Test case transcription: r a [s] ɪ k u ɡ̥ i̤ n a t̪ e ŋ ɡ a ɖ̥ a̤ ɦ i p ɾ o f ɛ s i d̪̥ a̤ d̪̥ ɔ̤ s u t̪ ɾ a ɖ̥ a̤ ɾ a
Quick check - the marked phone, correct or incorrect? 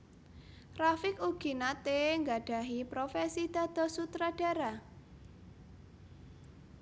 incorrect